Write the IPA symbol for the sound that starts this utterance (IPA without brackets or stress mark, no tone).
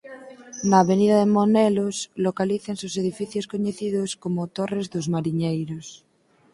n